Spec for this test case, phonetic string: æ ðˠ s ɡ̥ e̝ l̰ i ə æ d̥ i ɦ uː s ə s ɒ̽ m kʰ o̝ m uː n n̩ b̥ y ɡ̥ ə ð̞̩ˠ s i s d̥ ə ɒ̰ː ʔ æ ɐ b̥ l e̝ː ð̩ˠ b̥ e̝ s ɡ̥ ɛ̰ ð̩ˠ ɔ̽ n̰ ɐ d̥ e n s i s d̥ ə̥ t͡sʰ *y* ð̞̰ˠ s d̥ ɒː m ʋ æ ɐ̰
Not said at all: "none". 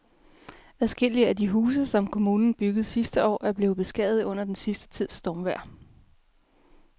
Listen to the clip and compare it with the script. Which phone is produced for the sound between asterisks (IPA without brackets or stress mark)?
i